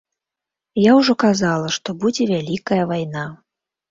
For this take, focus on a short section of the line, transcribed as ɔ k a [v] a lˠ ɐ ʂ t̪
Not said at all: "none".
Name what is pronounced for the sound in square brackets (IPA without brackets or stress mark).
z